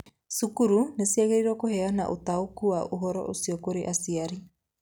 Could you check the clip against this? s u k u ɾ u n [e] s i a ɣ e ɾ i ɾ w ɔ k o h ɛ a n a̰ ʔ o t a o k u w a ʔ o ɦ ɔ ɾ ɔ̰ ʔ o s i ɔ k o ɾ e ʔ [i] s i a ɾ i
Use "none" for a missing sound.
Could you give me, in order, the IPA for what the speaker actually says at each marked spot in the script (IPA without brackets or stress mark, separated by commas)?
e, a